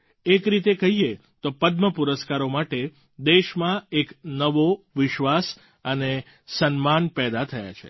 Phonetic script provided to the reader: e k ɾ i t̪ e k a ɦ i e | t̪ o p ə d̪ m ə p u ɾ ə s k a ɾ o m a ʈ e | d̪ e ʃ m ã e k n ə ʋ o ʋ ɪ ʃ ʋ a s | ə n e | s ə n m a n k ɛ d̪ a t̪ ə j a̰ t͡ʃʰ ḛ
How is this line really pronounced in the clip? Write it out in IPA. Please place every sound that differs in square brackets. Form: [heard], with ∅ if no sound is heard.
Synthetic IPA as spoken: e k ɾ i t̪ e k [ə] ɦ i e | t̪ o p ə d̪ m ə p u ɾ ə s k a ɾ o m a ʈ e | d̪ e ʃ m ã e k n ə ʋ o ʋ ɪ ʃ ʋ a s | ə n e | s ə n m a n [p] ɛ d̪ a [t̪ʰ] ə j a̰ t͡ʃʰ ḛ